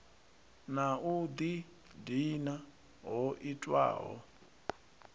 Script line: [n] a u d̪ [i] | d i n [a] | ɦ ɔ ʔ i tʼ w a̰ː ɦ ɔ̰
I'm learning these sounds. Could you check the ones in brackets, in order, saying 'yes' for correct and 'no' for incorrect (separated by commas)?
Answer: yes, yes, yes